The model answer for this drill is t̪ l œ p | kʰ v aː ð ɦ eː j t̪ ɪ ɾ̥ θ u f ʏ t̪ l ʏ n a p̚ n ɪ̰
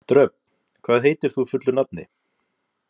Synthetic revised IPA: t̪ ɾ œ p | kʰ v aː ð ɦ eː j t̪ ɪ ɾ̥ θ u f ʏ t̪ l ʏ n a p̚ n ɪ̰